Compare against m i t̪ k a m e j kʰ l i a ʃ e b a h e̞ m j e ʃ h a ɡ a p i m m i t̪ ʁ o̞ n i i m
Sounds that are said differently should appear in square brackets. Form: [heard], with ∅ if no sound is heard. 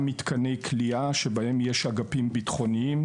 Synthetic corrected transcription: m i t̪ k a [n] e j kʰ l i a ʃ e b a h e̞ m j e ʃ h a ɡ a p i m [b] i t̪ [χ] o̞ n i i m